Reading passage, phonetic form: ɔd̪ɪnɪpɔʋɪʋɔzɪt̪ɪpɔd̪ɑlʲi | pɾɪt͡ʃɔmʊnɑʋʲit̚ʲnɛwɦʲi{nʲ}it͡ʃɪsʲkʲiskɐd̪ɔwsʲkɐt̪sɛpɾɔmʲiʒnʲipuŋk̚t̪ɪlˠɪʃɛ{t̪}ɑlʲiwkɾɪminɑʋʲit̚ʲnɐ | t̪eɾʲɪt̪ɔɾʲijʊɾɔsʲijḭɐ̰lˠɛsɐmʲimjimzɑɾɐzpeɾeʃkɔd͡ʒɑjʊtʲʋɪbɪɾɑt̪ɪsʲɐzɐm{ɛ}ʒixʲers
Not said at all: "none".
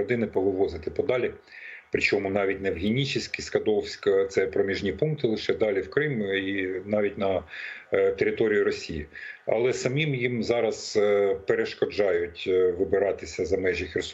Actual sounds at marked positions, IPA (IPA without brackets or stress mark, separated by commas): nʲ, d̪, ɛ